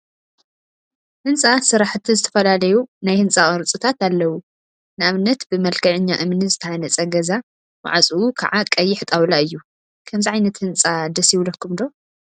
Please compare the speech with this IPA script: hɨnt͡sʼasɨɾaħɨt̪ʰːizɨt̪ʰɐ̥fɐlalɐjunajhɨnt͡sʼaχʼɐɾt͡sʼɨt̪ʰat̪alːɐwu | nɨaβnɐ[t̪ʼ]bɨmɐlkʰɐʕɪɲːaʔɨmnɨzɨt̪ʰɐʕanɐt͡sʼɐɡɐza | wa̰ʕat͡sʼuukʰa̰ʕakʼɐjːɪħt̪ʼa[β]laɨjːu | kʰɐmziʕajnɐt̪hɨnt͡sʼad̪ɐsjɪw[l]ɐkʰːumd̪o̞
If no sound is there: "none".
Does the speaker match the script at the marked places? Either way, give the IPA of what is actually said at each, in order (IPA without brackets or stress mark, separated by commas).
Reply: t̪, w, l